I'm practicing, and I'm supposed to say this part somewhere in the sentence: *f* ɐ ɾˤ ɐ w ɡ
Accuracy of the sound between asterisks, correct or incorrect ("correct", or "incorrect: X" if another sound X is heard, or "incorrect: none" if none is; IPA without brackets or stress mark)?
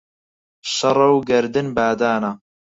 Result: incorrect: ʃ